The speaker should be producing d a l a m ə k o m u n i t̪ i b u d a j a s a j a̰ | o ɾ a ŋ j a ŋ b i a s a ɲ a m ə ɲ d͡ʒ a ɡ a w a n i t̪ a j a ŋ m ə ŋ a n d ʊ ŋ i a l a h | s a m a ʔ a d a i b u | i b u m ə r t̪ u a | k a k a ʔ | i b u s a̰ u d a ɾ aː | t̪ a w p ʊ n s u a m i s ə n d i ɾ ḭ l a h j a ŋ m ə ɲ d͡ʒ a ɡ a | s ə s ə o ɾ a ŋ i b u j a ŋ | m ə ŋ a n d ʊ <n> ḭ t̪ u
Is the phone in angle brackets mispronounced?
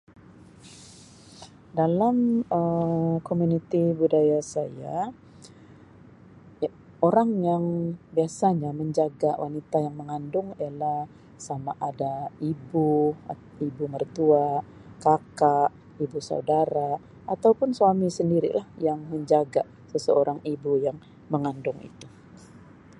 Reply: yes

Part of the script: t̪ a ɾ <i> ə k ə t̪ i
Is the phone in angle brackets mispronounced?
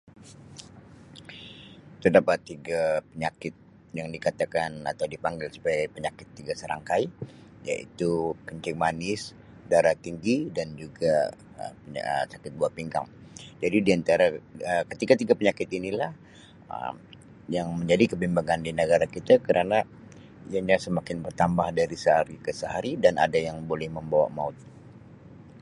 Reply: yes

